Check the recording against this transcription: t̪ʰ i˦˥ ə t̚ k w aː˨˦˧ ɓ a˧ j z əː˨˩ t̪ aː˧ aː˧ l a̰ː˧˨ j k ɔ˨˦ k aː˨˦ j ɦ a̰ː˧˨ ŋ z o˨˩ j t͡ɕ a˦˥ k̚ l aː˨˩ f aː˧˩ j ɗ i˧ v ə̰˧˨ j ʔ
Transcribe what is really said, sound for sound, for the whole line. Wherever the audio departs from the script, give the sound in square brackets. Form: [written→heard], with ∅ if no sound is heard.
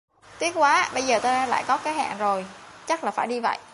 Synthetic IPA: [t̪ʰ→t̪] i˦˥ ə t̚ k w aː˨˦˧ ɓ [a˧→ə˧] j z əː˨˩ t̪ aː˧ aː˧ l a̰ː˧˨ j k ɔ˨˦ k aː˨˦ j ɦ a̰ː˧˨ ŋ z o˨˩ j t͡ɕ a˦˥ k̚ l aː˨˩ f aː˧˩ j ɗ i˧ v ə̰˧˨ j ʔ